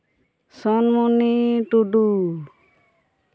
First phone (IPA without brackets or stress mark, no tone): s